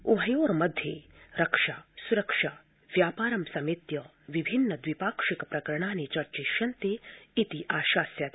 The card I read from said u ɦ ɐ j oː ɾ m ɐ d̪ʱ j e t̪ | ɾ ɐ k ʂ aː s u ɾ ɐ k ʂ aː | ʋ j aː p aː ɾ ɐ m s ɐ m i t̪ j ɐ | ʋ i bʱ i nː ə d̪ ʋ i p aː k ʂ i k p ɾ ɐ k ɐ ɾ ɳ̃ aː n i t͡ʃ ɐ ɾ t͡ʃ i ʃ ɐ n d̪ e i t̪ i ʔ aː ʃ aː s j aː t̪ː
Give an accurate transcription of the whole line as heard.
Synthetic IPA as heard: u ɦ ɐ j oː ɾ m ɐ d̪ʱ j e | ɾ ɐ k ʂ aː s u ɾ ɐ k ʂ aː | ʋ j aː p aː ɾ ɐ m s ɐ m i t̪ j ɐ | ʋ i bʱ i nː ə d̪ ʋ i p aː k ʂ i k p ɾ ɐ k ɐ ɾ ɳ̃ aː n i t͡ʃ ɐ ɾ t͡ʃ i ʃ ɐ n t̪ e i t̪ i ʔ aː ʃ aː s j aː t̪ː